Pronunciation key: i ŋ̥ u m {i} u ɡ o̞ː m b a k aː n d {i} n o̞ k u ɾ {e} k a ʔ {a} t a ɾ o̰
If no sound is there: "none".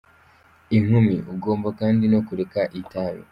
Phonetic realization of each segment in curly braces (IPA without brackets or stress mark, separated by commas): i, i, e, i